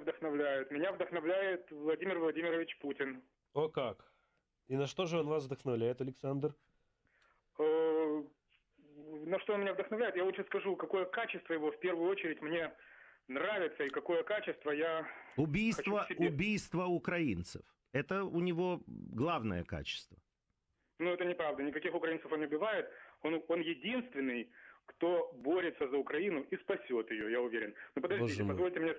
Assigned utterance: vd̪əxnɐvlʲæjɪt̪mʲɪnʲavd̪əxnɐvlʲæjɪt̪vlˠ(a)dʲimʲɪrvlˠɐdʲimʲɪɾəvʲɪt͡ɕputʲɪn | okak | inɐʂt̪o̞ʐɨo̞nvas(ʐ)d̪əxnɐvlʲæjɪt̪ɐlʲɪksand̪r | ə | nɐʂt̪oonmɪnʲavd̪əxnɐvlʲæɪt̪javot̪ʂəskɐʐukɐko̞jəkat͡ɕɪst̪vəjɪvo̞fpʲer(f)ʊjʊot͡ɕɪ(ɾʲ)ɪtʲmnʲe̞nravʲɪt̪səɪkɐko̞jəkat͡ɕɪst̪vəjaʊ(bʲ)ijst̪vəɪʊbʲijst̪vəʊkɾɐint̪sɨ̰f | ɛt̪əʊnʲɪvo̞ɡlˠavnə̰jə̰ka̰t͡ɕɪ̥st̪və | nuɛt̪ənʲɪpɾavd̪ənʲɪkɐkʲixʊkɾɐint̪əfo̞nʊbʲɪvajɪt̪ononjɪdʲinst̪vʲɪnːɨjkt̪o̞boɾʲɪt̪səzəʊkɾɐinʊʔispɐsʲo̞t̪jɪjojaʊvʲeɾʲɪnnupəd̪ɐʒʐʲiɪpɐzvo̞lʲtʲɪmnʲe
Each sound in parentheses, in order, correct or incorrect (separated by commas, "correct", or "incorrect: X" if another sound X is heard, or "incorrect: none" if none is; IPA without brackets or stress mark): incorrect: ɐ, incorrect: v, incorrect: v, correct, correct